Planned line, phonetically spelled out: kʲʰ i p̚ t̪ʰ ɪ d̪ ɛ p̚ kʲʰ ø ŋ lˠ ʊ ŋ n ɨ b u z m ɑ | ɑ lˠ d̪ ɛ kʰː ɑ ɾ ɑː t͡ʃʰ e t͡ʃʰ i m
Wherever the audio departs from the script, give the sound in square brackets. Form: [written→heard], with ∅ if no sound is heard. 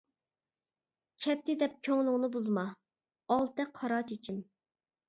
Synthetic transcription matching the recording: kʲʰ [i→ɛ] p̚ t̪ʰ ɪ d̪ ɛ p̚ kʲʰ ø ŋ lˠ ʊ ŋ n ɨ b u z m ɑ | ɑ lˠ [d̪→t̪] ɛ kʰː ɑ ɾ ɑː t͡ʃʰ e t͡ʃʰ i m